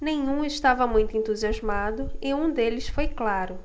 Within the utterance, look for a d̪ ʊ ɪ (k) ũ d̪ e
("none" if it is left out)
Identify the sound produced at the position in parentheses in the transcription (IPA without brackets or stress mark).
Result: none